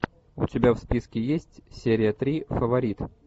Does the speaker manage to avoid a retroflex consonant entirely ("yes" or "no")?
yes